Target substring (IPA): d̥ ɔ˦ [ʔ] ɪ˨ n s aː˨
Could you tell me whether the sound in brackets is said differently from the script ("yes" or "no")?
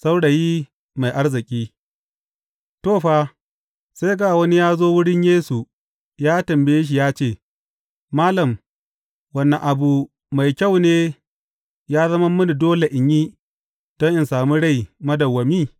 no